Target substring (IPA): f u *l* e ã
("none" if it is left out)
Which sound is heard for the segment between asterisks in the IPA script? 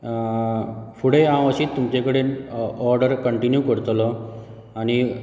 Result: ɽ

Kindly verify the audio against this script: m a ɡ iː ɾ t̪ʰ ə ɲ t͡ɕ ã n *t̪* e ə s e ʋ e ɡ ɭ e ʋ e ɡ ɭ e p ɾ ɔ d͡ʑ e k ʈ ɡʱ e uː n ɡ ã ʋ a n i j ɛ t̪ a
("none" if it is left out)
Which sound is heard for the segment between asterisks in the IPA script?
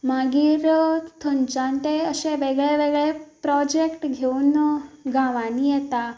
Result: t̪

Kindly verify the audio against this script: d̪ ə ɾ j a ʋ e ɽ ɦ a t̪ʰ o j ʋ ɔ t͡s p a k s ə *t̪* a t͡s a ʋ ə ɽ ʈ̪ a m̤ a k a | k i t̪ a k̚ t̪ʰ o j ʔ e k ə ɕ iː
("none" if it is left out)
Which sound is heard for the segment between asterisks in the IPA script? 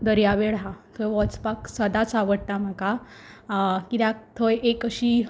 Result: d̪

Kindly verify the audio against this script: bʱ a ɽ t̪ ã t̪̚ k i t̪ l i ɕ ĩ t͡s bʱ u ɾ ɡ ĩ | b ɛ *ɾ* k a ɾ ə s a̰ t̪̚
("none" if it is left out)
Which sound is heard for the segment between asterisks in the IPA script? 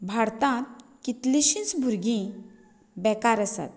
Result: none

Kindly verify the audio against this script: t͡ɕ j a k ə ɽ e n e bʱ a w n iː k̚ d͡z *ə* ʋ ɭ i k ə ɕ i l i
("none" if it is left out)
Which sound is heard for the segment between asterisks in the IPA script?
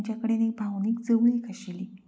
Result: ə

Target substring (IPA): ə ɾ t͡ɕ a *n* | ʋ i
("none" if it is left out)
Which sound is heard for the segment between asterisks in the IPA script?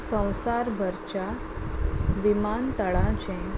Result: none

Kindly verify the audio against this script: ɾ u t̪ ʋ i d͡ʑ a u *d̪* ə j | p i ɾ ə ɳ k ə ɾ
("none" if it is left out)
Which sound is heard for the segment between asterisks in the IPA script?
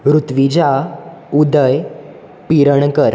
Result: d̪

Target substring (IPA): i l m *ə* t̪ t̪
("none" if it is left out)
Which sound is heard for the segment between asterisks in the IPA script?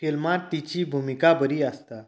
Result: a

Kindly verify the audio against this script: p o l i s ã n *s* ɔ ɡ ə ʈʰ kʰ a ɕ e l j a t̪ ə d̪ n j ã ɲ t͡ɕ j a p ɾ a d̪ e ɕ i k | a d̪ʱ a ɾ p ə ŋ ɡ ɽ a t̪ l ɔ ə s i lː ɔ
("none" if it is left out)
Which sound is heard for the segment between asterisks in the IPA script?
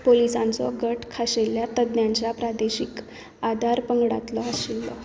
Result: t͡s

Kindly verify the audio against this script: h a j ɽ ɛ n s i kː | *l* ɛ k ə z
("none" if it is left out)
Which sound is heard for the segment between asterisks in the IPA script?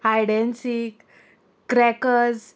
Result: ɾ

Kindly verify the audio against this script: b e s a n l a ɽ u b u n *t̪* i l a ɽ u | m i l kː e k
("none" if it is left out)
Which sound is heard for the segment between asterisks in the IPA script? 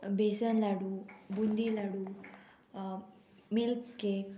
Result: d̪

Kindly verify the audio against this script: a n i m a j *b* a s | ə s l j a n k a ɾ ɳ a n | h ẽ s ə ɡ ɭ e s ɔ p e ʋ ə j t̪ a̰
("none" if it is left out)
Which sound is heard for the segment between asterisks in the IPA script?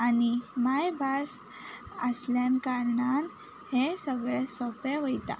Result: b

